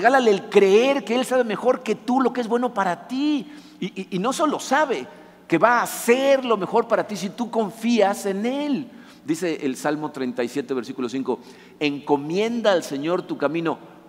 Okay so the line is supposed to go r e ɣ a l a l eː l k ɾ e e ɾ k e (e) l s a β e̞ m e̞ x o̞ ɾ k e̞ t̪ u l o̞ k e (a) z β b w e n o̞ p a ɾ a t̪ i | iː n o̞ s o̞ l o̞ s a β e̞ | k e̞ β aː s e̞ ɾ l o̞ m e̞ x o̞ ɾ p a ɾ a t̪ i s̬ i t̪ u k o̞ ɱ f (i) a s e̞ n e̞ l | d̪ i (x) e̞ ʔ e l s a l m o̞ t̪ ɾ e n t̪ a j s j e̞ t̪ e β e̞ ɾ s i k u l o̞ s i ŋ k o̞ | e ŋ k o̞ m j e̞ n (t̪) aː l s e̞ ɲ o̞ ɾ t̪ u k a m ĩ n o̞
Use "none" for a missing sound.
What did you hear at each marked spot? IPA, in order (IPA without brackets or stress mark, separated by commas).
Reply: e, e, i, s, d̪